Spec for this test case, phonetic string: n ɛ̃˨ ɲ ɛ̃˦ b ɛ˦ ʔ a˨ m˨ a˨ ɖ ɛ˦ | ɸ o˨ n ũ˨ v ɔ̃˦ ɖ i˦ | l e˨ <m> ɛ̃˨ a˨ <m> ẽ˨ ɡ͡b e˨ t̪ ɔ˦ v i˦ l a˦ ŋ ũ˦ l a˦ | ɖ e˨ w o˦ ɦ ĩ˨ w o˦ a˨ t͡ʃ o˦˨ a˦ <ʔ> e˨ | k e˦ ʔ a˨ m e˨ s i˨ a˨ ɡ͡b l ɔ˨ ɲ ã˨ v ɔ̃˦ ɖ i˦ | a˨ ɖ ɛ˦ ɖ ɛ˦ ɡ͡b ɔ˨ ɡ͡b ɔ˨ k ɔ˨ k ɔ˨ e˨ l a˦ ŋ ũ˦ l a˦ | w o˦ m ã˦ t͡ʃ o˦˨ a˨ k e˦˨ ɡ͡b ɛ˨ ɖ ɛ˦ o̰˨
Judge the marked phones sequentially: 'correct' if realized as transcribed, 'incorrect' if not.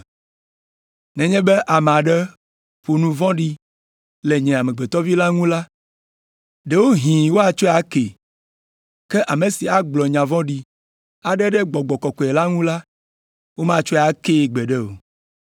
incorrect, correct, incorrect

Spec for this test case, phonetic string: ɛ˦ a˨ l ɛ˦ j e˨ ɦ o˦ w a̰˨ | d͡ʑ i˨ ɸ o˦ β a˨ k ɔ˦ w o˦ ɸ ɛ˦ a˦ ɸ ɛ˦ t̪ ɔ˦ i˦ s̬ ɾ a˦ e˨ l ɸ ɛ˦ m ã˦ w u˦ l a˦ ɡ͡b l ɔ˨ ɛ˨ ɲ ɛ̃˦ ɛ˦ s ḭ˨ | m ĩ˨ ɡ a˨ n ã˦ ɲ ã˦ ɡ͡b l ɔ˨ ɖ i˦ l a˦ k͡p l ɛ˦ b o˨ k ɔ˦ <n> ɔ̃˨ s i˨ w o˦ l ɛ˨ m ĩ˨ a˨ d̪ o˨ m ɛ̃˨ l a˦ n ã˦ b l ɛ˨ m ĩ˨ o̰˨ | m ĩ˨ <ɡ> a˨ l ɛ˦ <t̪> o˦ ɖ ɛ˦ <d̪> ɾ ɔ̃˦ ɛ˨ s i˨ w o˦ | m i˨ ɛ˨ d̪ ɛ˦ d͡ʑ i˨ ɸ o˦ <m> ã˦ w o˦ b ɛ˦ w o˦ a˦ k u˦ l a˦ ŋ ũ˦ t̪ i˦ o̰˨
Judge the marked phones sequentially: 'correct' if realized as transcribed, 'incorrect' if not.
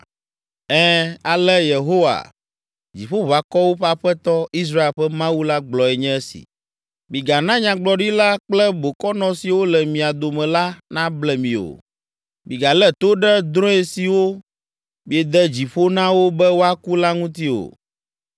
correct, correct, correct, correct, incorrect

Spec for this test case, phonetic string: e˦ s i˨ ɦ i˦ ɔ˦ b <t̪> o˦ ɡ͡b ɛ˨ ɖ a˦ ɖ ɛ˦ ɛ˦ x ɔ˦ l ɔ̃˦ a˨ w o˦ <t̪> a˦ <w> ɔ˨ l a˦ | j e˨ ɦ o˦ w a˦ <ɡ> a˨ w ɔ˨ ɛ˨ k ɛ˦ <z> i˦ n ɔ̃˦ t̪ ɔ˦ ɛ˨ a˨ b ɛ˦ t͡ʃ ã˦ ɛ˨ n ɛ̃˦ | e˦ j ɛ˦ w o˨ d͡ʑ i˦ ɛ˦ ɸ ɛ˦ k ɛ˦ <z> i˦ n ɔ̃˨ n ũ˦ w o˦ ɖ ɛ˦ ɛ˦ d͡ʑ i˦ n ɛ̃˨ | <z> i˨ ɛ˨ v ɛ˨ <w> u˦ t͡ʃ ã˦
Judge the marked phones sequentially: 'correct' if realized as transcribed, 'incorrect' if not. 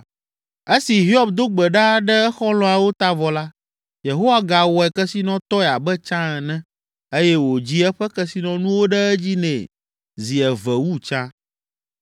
incorrect, correct, incorrect, correct, incorrect, incorrect, correct, correct

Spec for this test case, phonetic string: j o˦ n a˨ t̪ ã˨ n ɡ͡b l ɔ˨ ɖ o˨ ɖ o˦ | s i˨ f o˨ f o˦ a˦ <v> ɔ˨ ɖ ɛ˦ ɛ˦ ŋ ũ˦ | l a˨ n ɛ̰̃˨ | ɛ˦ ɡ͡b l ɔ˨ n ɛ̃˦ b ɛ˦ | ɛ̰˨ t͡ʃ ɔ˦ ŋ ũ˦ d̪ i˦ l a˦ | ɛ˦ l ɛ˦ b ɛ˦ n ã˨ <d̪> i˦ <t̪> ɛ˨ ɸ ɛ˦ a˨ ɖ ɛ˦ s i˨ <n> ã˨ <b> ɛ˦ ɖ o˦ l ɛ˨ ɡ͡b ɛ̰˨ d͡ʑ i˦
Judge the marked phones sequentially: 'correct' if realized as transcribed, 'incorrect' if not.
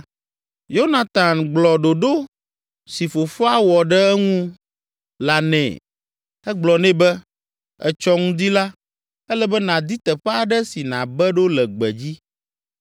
incorrect, correct, correct, correct, correct

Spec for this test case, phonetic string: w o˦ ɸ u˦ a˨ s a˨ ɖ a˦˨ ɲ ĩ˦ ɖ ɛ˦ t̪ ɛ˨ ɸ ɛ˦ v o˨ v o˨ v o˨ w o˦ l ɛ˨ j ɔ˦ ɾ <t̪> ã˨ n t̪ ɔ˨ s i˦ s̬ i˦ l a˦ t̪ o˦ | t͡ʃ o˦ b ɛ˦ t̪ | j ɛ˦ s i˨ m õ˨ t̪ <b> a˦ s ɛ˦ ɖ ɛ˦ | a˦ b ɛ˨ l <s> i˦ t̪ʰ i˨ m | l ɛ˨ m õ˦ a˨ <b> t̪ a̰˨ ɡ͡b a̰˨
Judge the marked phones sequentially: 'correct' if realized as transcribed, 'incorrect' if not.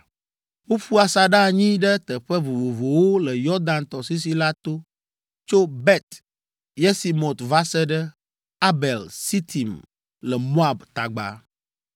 incorrect, incorrect, correct, correct

